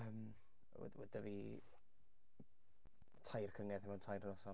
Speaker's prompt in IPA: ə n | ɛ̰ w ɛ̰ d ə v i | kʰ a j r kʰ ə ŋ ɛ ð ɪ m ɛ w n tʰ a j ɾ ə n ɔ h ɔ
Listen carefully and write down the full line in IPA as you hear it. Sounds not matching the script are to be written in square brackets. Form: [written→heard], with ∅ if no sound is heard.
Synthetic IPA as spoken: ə [n→m] | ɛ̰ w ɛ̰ d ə v i | [kʰ→tʰ] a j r kʰ ə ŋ ɛ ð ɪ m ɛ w n tʰ a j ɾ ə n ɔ [h→s] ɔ